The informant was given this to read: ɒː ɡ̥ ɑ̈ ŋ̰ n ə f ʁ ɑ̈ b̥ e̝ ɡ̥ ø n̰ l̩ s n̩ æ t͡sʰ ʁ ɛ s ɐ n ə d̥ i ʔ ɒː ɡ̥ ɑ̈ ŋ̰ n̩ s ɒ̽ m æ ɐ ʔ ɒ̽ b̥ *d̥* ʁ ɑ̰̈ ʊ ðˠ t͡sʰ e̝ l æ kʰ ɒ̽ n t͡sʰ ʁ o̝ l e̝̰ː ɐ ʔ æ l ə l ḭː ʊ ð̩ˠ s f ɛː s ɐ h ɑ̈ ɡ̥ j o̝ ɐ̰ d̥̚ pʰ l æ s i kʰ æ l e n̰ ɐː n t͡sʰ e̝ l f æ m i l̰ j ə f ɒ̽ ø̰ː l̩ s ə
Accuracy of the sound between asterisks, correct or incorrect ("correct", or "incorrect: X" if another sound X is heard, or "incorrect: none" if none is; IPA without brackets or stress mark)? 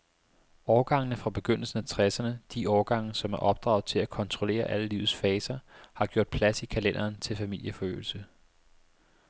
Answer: correct